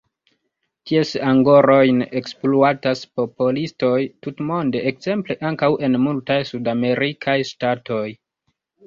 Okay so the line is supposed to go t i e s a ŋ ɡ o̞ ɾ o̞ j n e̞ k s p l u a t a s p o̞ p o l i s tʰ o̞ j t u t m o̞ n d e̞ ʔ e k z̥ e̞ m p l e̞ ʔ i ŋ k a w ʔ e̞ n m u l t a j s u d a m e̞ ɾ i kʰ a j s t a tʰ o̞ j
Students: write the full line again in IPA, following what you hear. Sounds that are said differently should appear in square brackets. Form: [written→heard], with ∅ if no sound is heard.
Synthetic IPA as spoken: t i e s a ŋ ɡ o̞ ɾ o̞ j n e̞ k s p l u a t a s p o̞ p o l i s [tʰ→t] o̞ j t u t m o̞ n d e̞ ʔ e k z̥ e̞ m p l e̞ ʔ [i→a] ŋ k a w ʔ e̞ n m u l t a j s u d a m e̞ ɾ i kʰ a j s t a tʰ o̞ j